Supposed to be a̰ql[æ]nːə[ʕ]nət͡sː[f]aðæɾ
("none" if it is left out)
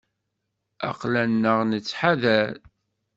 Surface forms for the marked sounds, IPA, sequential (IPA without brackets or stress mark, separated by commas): æ, ʁ, ħ